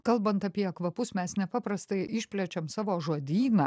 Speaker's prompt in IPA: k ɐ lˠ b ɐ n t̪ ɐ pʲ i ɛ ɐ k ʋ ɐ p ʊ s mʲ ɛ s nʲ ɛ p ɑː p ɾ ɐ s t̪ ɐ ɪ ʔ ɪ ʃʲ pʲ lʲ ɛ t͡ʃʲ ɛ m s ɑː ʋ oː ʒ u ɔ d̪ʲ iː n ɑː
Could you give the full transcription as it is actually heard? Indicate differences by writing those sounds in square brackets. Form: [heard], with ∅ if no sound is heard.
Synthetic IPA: k ɐ lˠ b ɐ n t̪ ɐ pʲ i ɛ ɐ k ʋ ɐ p ʊ s mʲ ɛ s nʲ ɛ p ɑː p ɾ ɐ s t̪ ɐ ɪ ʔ ɪ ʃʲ pʲ lʲ ɛ t͡ʃʲ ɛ m s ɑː ʋ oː ʒ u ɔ d̪ʲ iː n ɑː